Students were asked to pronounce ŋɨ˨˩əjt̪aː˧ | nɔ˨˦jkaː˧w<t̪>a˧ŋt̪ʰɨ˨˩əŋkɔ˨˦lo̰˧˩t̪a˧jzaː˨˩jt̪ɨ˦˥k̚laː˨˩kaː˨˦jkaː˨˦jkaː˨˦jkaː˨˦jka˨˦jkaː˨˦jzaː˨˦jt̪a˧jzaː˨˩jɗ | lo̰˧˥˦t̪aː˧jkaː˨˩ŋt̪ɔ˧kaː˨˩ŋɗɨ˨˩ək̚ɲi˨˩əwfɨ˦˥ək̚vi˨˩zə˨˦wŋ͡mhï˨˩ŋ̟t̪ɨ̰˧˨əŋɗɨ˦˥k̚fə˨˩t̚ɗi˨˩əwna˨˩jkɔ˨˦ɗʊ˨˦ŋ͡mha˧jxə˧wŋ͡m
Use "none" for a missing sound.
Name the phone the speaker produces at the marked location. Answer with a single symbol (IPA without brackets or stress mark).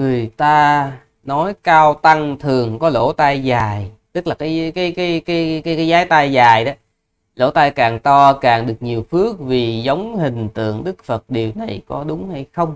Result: t̪